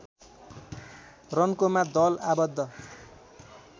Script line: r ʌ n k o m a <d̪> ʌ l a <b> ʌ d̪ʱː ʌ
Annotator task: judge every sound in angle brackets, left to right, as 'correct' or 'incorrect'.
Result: correct, correct

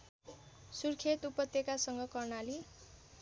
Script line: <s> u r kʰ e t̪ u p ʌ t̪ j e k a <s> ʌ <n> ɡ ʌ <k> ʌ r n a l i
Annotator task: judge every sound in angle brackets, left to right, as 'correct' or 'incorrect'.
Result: correct, correct, incorrect: ŋ, correct

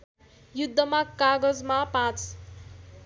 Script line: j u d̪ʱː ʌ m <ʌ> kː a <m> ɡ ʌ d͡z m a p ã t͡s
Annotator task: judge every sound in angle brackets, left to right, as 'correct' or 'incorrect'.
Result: incorrect: a, incorrect: none

